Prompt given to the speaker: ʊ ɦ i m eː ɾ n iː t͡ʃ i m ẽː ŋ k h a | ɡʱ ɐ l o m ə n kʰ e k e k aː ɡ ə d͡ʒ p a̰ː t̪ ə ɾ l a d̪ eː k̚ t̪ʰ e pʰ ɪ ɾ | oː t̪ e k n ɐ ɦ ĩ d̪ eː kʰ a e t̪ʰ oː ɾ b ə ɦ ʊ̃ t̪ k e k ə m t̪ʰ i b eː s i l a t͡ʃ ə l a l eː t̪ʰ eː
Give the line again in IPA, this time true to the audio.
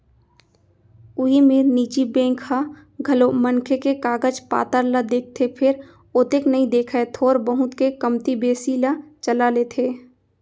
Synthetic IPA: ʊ ɦ i m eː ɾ n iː t͡ʃ i b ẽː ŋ k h a | ɡʱ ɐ l o m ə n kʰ e k e k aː ɡ ə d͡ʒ p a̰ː t̪ ə ɾ l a d̪ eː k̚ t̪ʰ e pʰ ɪ ɾ | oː t̪ e k n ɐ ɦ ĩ d̪ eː kʰ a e t̪ʰ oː ɾ b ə ɦ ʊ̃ t̪ k e k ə m t̪ i b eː s i l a t͡ʃ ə l a l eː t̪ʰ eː

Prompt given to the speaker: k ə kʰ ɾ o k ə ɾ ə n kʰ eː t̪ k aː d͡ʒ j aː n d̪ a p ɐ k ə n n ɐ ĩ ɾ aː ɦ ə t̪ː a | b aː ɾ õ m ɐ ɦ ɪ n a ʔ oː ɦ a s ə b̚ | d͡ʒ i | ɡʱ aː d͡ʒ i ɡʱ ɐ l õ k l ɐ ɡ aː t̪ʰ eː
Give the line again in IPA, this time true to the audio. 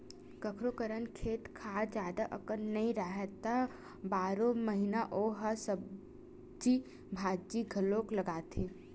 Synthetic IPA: k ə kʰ ɾ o k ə ɾ ə n kʰ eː t̪ kʰ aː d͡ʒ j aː d̪ a ʔ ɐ k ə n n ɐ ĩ ɾ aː ɦ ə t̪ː a | b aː ɾ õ m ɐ ɦ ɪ n a ʔ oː ɦ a s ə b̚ | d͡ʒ i | bʱ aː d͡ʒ i ɡʱ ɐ l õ k l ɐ ɡ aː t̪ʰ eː

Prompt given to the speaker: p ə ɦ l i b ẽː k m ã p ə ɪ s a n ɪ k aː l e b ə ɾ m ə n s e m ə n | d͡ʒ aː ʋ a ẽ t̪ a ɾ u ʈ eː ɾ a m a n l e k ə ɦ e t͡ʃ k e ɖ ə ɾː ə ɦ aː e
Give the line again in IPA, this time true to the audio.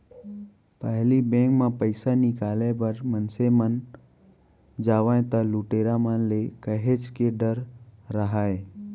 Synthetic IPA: p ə ɦ l i b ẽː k m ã p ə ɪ s a n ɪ k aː l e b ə ɾ m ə n s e m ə n | d͡ʒ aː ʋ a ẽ t̪ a l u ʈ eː ɾ a m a n l e k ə ɦ e t͡ʃ k e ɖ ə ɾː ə ɦ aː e

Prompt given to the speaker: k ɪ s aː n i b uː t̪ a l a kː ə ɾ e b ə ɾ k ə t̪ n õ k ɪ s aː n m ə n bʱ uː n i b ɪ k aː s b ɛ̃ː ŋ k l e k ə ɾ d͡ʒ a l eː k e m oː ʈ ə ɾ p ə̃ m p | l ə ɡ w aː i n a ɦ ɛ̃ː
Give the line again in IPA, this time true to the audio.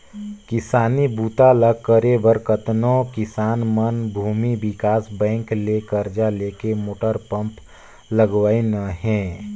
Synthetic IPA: k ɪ s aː n i b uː t̪ a l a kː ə ɾ e b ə ɾ k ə t̪ n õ k ɪ s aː n m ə n bʱ uː m i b ɪ k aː s b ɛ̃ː ŋ k l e k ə ɾ d͡ʒ a l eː k e m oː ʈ ə ɾ p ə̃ m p | l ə ɡ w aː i n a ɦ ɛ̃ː

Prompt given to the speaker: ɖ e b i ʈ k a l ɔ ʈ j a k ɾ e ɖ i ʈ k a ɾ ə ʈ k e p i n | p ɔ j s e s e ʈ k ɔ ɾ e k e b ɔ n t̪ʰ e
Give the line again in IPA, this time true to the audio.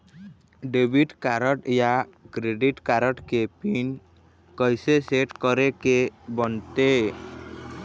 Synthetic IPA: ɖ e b i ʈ k a ɾ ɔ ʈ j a k ɾ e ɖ i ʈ k a ɾ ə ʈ k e p i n | k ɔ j s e s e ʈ k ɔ ɾ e k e b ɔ n t̪ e

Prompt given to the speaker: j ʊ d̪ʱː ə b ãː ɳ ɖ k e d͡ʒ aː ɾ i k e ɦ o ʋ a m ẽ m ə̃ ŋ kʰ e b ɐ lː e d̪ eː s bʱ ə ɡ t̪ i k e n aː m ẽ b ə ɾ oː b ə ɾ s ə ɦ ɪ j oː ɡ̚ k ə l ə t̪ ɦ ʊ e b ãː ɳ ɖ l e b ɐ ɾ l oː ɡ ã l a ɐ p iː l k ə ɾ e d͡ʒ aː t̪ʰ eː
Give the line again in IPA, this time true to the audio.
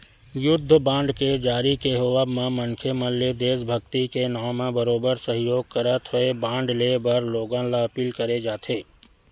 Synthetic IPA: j ʊ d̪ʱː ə b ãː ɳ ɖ k e d͡ʒ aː ɾ i k e ɦ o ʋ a m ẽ m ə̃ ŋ kʰ e m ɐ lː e d̪ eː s bʱ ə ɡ t̪ i k e n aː m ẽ b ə ɾ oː b ə ɾ s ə ɦ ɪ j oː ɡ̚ k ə ɾ ə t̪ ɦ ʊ e b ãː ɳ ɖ l e b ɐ ɾ l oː ɡ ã l a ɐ p iː l k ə ɾ e d͡ʒ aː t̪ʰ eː

